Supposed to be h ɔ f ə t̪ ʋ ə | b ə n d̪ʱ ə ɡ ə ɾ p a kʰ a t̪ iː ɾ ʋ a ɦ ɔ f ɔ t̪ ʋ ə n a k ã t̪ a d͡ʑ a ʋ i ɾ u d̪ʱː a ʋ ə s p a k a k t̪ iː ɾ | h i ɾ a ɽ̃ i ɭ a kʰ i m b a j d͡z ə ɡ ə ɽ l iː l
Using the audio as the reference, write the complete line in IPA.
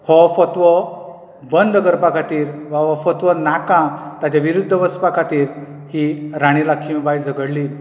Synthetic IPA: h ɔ f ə t̪ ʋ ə | b ə n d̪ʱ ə ɡ ə ɾ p a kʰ a t̪ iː ɾ ʋ a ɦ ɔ f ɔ t̪ ʋ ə n a k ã t̪ a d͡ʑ a ʋ i ɾ u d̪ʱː ə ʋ ə s p a k a t̪ iː ɾ | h i ɾ a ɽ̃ i l a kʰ i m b a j d͡z ə ɡ ə ɽ l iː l